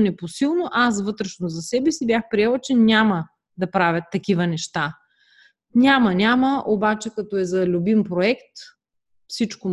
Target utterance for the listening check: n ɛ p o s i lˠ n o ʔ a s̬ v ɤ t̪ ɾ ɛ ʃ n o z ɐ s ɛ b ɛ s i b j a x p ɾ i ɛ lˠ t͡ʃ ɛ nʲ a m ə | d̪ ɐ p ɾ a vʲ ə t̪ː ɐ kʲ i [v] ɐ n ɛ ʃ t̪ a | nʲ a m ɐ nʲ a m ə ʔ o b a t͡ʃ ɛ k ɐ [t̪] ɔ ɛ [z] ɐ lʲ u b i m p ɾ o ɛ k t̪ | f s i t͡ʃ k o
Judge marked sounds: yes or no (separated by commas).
yes, yes, yes